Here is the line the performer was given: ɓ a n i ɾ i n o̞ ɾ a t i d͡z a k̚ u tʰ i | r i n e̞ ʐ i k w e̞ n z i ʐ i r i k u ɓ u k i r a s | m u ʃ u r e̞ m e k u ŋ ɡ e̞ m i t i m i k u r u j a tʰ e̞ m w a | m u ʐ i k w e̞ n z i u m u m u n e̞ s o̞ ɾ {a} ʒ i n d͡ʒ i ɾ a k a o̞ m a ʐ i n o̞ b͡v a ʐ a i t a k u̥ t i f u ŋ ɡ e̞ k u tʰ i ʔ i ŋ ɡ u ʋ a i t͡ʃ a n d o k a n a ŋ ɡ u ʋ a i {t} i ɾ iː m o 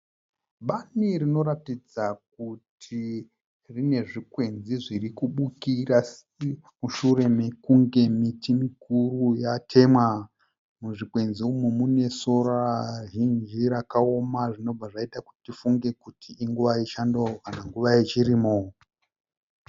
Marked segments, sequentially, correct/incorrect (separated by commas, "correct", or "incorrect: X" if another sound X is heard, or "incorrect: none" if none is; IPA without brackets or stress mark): correct, incorrect: t͡ʃ